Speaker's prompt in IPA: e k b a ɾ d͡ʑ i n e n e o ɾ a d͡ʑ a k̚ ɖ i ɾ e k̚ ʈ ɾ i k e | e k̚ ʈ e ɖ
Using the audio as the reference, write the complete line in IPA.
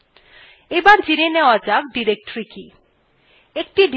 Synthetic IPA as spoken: e b a ɾ d͡ʑ i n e n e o a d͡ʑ a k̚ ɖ i ɾ e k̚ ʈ ɾ i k i | e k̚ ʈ i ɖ